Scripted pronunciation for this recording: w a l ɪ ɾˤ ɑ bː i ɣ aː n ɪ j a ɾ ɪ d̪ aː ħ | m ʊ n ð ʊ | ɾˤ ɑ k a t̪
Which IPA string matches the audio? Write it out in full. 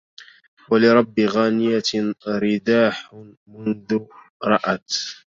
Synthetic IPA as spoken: w a l ɪ ɾˤ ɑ bː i ɣ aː n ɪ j a ɾ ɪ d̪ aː ħ | m ʊ n ð ʊ | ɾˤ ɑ ʔ a t̪